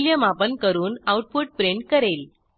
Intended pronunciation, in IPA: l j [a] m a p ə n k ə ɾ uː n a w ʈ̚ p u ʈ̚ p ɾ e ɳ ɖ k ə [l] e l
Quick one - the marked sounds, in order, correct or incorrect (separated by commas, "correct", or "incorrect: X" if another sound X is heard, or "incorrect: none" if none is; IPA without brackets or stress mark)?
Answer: incorrect: ə, incorrect: ɾ